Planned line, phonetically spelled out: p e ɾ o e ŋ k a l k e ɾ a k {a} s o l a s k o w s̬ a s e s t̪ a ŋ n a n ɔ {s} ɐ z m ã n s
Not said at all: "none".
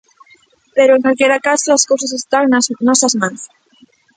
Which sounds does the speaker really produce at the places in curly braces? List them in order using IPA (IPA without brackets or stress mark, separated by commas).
a, s